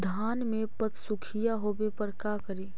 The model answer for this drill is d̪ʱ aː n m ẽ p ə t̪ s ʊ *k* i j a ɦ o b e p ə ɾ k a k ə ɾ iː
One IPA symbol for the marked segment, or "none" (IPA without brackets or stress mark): kʰ